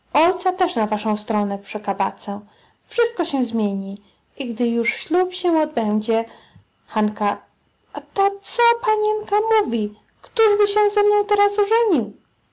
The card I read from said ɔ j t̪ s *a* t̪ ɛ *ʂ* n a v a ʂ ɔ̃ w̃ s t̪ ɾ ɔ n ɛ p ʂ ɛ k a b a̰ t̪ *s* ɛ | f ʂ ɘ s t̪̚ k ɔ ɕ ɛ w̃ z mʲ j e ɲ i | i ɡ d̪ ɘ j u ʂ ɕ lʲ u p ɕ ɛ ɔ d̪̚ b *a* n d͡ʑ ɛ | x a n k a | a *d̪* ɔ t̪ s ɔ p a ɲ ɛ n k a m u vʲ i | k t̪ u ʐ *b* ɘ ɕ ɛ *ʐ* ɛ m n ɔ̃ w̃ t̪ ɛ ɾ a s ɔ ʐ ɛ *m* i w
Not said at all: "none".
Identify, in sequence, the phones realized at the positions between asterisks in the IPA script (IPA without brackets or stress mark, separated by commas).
a, ʂ, s, ɛ, t̪, b, z, ɲ